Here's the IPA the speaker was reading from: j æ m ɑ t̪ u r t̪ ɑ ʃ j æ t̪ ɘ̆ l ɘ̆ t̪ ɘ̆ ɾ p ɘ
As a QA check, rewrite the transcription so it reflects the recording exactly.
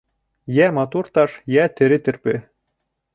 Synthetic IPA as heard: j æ m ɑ t̪ u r t̪ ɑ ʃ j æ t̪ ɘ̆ ɾ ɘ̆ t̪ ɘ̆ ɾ p ɘ